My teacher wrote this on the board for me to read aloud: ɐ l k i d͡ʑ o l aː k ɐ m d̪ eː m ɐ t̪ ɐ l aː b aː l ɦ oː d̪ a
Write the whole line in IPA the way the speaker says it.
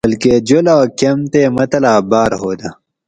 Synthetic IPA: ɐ l k e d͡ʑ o l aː k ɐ m t̪ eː m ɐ t̪ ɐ l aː b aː ɾ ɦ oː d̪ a

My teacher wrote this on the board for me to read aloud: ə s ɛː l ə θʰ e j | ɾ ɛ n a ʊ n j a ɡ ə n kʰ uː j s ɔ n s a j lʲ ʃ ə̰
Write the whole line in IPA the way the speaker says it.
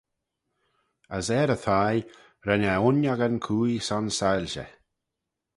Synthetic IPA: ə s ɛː ɾ ə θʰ a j | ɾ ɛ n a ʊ n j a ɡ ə n kʰ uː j s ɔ n s a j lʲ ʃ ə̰

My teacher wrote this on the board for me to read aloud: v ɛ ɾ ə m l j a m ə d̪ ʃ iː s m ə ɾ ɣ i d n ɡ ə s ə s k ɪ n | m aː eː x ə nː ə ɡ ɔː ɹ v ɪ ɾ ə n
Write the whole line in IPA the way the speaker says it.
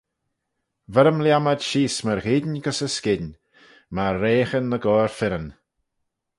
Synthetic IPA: v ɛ ɾ ə m l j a m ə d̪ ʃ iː s m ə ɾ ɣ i d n ɡ ə s ə s k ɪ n | m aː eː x ə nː ə ɡ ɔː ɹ f ɪ ɾ ə n

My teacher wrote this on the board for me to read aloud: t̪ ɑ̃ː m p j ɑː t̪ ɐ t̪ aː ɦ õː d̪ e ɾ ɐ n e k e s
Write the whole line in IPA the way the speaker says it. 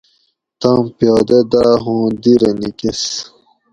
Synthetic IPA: t̪ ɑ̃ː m p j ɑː d̪ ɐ d̪ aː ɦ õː d̪ i ɾ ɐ n i k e s

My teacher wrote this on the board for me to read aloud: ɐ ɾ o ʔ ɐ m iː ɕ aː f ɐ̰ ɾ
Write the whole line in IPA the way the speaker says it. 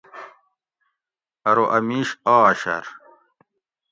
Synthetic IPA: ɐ ɾ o ʔ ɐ m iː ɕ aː ɕ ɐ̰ ɾ

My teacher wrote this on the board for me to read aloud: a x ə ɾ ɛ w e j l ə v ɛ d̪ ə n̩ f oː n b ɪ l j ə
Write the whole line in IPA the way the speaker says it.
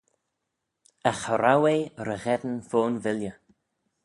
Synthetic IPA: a x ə ɾ a w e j ɾ ə ɣ ɛ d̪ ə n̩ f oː n v ɪ l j ə

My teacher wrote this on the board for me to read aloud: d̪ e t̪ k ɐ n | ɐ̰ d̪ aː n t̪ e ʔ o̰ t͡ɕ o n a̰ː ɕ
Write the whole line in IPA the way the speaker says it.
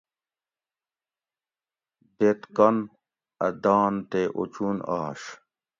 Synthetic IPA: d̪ e t̪ k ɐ n | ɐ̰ d̪ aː n t̪ e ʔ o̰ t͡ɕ u n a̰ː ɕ

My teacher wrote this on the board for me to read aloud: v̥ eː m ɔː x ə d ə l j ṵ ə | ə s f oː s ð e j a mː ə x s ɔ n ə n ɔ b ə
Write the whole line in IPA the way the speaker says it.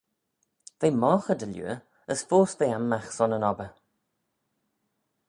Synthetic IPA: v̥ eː m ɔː x ə d ə l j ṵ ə | ə s f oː s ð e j a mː a x s ɔ n ə n ɔ b ə

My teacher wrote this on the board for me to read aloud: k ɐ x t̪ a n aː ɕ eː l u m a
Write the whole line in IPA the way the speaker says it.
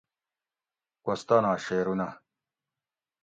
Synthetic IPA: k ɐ s t̪ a n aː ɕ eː ɾ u n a

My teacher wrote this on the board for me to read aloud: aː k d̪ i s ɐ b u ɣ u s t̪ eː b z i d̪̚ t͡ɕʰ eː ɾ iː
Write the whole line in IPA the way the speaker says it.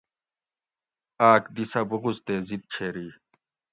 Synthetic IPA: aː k d̪ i s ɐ b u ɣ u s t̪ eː z i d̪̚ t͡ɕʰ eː ɾ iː

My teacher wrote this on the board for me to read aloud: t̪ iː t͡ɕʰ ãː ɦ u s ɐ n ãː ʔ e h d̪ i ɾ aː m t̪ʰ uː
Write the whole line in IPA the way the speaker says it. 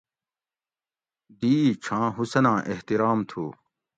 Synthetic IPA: d̪ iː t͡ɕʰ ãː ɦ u s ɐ n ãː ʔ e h t̪ i ɾ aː m t̪ʰ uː

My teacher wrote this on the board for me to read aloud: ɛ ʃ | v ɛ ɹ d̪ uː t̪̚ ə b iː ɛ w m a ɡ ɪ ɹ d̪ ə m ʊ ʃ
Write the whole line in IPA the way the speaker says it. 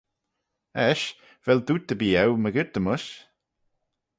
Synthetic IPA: ɛ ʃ | v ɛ l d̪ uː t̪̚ ə b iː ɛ w m ə ɡ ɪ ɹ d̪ ə m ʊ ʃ

